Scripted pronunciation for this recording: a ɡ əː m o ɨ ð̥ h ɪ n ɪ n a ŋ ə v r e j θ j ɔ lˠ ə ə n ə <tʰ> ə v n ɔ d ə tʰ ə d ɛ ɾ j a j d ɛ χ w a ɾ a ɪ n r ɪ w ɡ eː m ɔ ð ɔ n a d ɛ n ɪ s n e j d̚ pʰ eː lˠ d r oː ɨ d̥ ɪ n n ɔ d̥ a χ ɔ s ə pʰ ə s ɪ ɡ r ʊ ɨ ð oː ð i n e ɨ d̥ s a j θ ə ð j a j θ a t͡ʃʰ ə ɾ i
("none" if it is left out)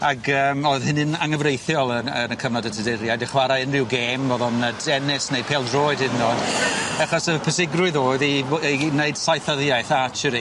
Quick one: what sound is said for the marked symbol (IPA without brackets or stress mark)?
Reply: kʰ